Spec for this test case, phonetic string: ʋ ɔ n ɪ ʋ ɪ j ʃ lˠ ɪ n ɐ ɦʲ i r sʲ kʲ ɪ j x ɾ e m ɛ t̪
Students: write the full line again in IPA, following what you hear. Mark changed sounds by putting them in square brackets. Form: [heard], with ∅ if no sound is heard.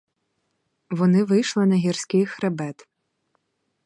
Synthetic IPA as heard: ʋ ɔ n ɪ ʋ ɪ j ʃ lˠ ɪ n ɐ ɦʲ i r sʲ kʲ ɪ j x ɾ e [b] ɛ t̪